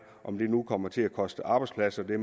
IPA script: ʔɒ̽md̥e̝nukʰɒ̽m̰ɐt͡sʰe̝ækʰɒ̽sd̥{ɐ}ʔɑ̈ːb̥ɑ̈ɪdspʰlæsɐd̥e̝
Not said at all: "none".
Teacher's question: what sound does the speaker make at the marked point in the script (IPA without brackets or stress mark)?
ə